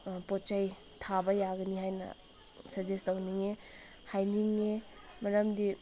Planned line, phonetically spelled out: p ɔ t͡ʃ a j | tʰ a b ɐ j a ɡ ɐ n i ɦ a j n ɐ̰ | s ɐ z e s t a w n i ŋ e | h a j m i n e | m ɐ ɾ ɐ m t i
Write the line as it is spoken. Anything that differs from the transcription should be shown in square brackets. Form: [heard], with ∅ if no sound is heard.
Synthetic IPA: p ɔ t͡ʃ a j | tʰ a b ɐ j a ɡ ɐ n i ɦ a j n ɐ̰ | s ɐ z e s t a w n i ŋ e | h a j [n] i [ŋ] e | m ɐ ɾ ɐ m [d] i